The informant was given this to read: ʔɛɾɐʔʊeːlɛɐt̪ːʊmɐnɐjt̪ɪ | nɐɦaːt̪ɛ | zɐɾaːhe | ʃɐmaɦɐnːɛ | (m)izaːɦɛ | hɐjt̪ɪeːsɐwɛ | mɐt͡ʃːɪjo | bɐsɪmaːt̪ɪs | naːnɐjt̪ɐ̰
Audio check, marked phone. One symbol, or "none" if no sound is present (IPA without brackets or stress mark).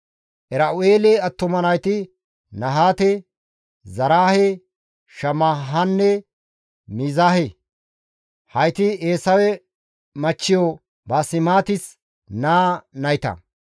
m